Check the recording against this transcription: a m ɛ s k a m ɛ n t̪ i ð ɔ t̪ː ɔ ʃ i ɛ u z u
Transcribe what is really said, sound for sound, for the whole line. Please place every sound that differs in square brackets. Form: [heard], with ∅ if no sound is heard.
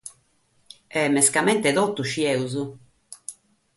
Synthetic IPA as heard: [ɛ] m ɛ s k a m ɛ n t̪ [ɛ] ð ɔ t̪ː [u] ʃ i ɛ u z u